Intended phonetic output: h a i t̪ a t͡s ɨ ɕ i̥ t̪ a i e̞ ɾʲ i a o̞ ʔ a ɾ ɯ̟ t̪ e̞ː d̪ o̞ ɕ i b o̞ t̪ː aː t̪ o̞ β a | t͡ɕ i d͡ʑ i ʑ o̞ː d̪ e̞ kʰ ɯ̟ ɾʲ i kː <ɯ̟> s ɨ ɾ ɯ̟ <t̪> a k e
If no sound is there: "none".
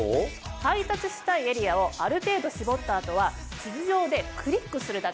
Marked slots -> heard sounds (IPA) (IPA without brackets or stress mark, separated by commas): ɯ̟, d̪